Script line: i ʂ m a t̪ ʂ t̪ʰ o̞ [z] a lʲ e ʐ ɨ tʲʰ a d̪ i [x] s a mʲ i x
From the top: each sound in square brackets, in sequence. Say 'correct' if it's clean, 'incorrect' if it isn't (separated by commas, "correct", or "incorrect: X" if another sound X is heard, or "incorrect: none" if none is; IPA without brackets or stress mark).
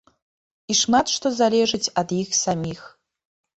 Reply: correct, correct